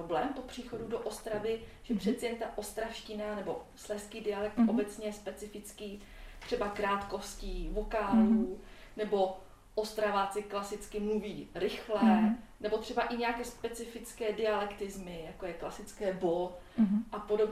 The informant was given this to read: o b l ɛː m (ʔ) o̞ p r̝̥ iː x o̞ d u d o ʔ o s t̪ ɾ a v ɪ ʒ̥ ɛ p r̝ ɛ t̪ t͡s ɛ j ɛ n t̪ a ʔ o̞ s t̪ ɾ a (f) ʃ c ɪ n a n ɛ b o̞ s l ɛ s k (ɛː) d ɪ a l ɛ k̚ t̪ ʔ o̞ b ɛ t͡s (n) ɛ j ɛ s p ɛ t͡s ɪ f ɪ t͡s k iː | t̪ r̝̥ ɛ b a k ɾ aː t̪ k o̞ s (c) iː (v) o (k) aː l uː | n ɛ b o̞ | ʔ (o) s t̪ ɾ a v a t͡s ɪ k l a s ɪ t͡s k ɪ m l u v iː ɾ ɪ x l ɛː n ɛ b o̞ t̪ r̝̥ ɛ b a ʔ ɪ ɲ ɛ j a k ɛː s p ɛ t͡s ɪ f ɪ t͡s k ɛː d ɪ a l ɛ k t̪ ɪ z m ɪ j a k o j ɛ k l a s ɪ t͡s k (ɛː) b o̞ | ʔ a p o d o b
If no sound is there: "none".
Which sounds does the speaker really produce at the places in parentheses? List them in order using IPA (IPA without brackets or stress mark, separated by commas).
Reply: p, f, iː, ɲ, c, v, k, o, ɛː